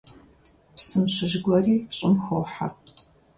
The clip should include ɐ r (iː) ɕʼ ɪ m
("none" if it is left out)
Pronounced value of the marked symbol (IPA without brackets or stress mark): iː